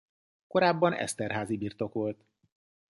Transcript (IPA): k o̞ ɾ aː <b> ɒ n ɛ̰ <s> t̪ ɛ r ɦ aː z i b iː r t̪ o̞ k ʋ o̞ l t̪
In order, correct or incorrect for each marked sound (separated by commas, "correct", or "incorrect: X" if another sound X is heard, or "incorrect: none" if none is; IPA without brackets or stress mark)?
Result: incorrect: bː, correct